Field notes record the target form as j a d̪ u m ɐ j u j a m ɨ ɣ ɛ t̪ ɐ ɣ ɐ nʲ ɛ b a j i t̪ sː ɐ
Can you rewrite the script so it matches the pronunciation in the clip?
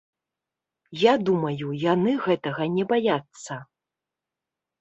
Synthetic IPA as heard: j a d̪ u m ɐ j u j a n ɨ ɣ ɛ t̪ ɐ ɣ ɐ nʲ ɛ b a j a t̪ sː ɐ